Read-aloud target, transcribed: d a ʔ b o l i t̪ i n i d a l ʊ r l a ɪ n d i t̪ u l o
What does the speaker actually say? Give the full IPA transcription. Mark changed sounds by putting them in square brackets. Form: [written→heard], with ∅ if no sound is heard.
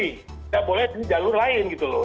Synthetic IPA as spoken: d a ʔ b o l [i→ɛ] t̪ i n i [d→d͡ʒ] a l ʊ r l a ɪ n [d→ɡ] i t̪ u l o